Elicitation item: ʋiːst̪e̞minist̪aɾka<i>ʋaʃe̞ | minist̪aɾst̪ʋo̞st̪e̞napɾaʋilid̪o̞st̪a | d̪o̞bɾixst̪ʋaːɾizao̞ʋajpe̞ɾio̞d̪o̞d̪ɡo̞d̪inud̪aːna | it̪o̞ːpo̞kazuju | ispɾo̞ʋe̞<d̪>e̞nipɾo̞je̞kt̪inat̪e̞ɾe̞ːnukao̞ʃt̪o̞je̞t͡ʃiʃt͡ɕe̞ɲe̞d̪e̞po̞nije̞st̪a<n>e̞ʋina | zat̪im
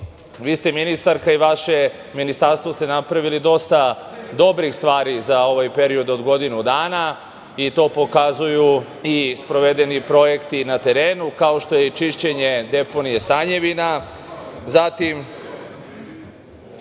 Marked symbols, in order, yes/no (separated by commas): yes, yes, no